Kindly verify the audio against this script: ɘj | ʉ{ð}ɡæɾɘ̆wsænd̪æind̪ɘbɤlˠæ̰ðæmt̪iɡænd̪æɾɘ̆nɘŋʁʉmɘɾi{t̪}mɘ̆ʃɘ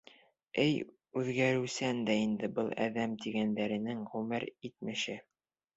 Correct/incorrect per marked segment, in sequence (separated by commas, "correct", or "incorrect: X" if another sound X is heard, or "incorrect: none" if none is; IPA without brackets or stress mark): correct, correct